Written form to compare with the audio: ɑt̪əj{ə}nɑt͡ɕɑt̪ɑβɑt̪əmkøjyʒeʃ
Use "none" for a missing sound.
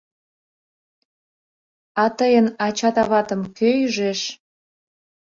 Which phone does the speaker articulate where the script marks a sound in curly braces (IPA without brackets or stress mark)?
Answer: ə